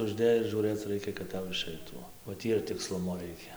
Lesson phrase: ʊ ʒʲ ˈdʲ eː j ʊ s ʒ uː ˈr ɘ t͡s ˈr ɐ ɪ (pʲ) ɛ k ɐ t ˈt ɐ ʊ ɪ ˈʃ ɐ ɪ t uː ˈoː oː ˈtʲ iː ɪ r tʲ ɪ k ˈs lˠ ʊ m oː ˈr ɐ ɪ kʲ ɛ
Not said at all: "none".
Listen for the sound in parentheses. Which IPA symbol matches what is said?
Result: kʲ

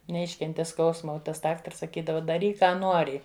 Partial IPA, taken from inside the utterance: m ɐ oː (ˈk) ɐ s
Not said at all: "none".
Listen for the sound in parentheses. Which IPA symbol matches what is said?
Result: t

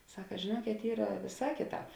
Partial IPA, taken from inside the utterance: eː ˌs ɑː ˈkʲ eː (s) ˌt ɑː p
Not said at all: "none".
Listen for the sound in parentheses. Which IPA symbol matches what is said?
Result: none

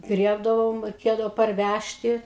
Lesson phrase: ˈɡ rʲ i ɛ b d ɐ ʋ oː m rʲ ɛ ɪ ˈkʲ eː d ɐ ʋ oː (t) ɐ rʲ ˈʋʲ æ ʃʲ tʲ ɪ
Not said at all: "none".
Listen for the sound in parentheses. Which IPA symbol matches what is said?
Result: p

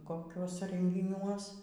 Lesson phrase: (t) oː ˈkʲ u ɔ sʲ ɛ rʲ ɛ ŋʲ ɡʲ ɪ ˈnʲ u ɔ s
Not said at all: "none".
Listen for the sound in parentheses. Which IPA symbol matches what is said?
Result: k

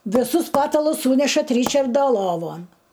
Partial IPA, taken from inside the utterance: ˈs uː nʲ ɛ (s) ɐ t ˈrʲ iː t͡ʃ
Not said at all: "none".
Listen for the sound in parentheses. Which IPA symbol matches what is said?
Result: ʃ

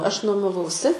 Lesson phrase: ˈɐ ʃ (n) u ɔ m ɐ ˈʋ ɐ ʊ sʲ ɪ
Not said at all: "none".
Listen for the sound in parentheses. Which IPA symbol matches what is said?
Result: n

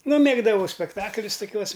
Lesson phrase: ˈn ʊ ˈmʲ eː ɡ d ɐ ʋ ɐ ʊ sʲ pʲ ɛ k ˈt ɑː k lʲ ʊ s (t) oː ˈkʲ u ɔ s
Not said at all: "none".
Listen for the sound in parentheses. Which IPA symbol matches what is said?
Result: t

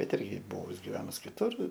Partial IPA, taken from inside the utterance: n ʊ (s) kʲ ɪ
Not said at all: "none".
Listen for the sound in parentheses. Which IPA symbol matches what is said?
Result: s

